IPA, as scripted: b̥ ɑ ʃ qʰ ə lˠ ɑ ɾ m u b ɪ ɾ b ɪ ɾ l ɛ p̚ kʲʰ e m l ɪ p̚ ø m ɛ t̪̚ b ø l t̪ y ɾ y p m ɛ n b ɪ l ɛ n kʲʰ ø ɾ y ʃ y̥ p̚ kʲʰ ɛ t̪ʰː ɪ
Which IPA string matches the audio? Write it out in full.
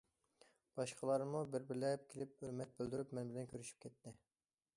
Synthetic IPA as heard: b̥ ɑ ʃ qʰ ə lˠ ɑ ɾ m u b ɪ ɾ b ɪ ɾ l ɛ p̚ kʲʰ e l ɪ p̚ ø m ɛ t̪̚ b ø l d̪ y ɾ y p m ɛ n b ɪ l ɛ n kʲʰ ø ɾ y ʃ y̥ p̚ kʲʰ ɛ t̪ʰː ɪ